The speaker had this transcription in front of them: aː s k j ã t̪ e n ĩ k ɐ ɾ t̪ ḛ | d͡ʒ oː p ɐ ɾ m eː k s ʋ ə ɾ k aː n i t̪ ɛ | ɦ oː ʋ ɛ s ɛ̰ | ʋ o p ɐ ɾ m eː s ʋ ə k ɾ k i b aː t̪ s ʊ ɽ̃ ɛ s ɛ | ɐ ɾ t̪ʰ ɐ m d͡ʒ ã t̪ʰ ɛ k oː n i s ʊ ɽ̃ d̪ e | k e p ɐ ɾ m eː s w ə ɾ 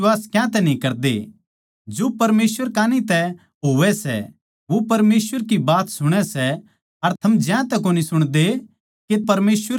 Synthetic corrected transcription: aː s k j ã t̪ ɛ n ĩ k ɐ ɾ d̪ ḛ | d͡ʒ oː p ɐ ɾ m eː s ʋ ə ɾ k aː n i t̪ ɛ | ɦ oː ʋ ɛ s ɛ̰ | ʋ o p ɐ ɾ m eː s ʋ ə ɾ k i b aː t̪ s ʊ ɽ̃ ɛ s ɛ | ɐ ɾ t̪ʰ ɐ m d͡ʒ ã t̪ ɛ k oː n i s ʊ ɽ̃ d̪ e | k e p ɐ ɾ m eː s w ə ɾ